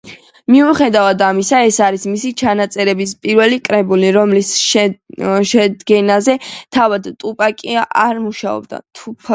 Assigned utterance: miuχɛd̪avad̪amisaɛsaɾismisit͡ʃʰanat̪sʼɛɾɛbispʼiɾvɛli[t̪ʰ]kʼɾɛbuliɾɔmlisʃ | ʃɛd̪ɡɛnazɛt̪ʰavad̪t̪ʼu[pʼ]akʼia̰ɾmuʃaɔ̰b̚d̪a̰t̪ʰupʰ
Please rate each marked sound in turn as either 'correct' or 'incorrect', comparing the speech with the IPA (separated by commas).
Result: incorrect, correct